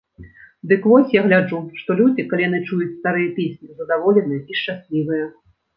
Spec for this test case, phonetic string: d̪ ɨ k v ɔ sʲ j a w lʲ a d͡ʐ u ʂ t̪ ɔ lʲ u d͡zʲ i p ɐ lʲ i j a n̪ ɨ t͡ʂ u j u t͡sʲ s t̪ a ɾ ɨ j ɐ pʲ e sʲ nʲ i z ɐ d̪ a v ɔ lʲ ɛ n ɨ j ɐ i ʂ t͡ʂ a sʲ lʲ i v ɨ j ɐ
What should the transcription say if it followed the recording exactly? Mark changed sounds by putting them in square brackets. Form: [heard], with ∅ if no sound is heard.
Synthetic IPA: d̪ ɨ k v ɔ sʲ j a [ɣ] lʲ a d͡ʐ u ʂ t̪ ɔ lʲ u d͡zʲ i [k] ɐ lʲ i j a n̪ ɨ t͡ʂ u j u t͡sʲ s t̪ a ɾ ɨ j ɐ pʲ e sʲ nʲ i z ɐ d̪ a v ɔ lʲ ɛ n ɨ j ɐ i ʂ t͡ʂ a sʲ lʲ i v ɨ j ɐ